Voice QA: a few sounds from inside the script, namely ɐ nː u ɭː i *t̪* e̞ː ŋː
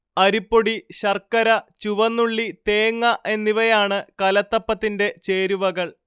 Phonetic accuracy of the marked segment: correct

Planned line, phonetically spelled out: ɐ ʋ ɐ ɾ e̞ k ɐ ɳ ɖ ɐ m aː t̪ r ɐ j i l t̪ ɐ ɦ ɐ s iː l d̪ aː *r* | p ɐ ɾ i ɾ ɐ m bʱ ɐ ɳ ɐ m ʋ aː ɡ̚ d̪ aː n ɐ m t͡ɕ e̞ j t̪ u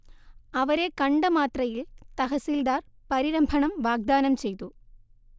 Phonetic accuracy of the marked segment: correct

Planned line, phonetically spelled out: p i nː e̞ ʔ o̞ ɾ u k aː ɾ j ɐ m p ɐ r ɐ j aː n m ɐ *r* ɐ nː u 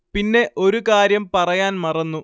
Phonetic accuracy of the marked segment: correct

